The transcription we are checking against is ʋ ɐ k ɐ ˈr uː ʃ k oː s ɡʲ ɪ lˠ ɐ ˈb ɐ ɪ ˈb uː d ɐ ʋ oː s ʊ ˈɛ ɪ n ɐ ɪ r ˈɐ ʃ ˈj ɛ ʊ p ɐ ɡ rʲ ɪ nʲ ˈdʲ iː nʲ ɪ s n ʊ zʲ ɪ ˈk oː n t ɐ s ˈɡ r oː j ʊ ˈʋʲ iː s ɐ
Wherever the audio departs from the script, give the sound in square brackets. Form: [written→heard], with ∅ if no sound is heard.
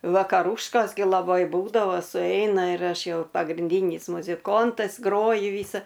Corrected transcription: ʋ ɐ k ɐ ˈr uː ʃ k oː s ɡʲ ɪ lˠ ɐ ˈb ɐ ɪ ˈb uː d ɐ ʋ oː s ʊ ˈɛ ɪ n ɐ ɪ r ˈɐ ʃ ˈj ɛ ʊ p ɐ ɡ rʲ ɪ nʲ ˈdʲ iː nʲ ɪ s [n→m] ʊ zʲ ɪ ˈk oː n t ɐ s ˈɡ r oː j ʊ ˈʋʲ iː s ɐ